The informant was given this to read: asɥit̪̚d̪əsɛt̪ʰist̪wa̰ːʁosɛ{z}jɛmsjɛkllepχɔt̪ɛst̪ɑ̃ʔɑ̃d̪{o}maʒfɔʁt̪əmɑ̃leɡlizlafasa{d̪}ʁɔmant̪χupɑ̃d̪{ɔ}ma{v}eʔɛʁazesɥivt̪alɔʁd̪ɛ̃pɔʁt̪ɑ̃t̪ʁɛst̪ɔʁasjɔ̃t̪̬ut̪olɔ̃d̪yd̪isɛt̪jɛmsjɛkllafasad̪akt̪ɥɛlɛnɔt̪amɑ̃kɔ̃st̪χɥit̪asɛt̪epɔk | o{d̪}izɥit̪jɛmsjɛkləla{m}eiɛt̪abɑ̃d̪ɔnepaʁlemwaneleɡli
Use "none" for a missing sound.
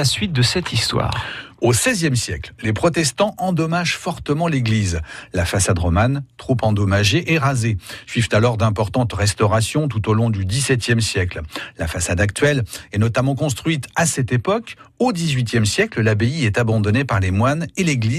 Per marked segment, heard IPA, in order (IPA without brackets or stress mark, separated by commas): z, ɔ, d̪, ɔ, ʒ, d̪, b